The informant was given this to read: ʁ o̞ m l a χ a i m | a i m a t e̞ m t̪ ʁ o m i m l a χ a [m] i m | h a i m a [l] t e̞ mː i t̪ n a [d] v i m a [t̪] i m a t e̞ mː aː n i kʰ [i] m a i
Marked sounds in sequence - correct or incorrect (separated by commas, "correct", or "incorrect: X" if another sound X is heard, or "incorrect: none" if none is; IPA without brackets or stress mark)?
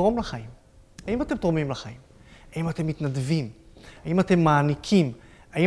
incorrect: none, incorrect: none, correct, incorrect: none, correct